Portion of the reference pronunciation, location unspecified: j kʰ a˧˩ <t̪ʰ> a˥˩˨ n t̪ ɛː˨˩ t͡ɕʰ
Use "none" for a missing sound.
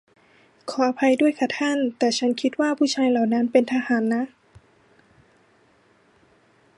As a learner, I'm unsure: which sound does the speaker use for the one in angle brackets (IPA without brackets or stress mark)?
t̪ʰ